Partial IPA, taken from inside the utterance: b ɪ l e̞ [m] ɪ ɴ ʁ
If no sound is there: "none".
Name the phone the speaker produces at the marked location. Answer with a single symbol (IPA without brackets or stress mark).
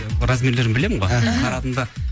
m